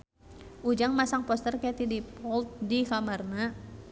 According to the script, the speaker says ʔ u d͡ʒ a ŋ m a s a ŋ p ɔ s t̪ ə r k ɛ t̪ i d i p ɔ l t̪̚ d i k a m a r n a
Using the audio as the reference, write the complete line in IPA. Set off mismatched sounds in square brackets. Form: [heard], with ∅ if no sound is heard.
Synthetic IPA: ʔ u d͡ʒ a ŋ m a s a ŋ p ɔ s t̪ ə r k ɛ t̪ i d i p ɔ l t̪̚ d i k a m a r n a